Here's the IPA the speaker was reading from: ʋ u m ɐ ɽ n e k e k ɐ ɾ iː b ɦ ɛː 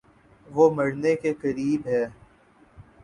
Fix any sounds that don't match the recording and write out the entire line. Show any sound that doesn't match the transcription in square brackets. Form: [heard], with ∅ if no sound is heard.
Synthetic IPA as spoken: ʋ [o] m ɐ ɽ n e k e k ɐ ɾ iː b ɦ ɛː